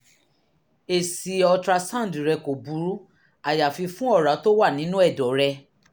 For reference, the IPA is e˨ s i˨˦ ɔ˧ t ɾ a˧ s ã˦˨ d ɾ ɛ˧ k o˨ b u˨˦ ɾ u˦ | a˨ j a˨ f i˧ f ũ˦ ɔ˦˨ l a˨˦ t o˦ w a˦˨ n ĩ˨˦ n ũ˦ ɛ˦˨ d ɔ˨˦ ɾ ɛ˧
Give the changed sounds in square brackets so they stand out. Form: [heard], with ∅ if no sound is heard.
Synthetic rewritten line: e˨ s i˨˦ ɔ˧ t ɾ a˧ s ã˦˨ d ɾ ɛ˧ k o˨ b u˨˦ ɾ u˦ | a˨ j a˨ f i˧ f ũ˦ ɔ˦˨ [ɾ] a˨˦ t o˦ w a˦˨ n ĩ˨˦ n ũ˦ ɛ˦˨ d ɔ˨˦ ɾ ɛ˧